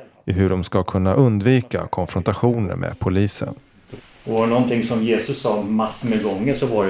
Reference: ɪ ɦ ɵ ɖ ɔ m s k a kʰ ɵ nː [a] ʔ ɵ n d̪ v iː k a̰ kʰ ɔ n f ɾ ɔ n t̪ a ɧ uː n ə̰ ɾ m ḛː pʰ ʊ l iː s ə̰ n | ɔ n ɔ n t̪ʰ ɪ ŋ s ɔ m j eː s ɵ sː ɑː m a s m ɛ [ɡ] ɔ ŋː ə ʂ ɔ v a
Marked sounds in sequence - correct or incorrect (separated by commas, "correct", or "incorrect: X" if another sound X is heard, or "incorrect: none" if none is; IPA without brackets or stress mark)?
correct, correct